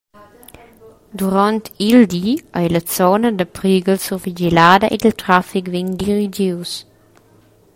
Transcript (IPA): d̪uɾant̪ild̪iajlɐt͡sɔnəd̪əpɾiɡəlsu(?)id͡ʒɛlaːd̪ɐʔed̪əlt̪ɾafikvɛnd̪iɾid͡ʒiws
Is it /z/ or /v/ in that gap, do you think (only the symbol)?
v